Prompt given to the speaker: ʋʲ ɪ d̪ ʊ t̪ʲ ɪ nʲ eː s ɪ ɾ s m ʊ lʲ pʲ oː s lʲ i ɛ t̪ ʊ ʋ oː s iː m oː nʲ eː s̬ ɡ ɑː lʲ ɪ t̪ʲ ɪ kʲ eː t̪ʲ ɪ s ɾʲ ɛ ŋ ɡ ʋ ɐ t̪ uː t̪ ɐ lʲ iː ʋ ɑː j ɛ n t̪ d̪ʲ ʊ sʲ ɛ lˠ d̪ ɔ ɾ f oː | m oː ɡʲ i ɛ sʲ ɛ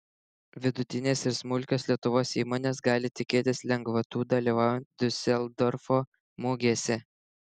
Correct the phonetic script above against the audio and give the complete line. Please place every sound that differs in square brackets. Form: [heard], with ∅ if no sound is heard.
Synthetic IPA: ʋʲ ɪ d̪ ʊ t̪ʲ ɪ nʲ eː s ɪ ɾ s m ʊ lʲ [kʲ] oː s lʲ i ɛ t̪ ʊ ʋ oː s iː m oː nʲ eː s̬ ɡ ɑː lʲ ɪ t̪ʲ ɪ kʲ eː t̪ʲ ɪ s [lʲ] ɛ ŋ ɡ ʋ ɐ t̪ uː [d̪] ɐ lʲ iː ʋ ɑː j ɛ n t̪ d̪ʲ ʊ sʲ ɛ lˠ d̪ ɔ ɾ f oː | m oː ɡʲ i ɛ sʲ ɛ